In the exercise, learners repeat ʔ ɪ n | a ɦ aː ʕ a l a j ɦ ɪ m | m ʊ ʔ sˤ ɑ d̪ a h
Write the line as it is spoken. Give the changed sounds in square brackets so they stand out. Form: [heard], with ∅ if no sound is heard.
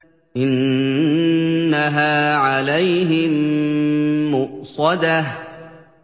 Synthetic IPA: ʔ ɪ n | a ɦ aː ʕ a l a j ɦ ɪ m | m ʊ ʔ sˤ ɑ d̪ a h